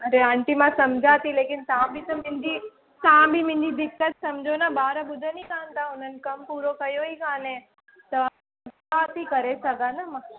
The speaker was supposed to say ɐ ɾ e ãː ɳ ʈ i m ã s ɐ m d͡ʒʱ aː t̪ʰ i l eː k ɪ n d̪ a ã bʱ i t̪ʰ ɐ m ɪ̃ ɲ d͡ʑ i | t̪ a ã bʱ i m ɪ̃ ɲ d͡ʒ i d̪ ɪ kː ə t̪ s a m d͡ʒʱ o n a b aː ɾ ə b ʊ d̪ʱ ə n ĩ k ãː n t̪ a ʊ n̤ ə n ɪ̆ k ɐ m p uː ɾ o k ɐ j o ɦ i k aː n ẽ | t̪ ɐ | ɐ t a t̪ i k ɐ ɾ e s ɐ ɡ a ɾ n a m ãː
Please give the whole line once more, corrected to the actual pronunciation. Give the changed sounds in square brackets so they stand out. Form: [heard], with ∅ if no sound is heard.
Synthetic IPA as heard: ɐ ɾ e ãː ɳ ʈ i m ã s ɐ m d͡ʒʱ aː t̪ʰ i l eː k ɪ n [t̪] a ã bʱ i [t̪] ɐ m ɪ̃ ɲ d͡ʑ i | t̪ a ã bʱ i m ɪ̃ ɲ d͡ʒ i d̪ ɪ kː ə t̪ s [ɐ] m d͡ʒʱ o n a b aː ɾ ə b ʊ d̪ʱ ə n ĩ k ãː n t̪ a ʊ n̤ ə n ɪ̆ k ɐ m p uː ɾ o k ɐ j o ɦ i k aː n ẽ | t̪ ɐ | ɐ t a t̪ i k ɐ ɾ e s ɐ ɡ a [∅] n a m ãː